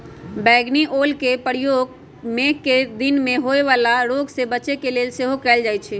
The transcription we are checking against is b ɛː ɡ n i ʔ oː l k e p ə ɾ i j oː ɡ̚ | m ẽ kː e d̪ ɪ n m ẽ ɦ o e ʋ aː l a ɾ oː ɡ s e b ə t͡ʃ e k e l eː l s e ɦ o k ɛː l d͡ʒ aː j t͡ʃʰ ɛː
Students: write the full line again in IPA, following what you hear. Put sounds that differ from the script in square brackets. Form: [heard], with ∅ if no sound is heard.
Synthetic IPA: b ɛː ɡ n i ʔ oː l k e p ə ɾ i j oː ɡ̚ | m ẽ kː e d̪ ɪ n m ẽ ɦ o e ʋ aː l a ɾ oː ɡ s e b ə t͡ʃ e k e l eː l s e ɦ o k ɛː l d͡ʒ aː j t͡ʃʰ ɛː